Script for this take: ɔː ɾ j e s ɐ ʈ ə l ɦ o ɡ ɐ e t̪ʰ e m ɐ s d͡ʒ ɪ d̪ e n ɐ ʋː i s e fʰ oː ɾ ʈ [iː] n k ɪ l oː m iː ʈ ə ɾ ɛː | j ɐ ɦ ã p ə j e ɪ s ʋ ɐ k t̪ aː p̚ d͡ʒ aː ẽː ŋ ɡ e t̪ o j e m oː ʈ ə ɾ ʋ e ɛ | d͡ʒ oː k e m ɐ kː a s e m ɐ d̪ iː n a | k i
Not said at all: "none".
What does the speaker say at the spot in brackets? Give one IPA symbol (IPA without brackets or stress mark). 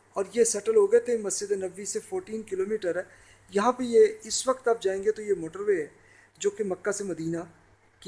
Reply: iː